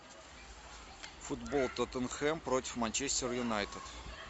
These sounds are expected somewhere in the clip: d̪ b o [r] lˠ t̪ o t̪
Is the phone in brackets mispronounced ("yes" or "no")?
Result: yes